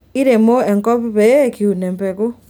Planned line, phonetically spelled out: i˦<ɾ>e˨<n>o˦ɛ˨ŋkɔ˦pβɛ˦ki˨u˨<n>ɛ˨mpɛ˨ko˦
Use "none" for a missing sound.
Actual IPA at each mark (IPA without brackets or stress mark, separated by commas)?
ɾ, m, n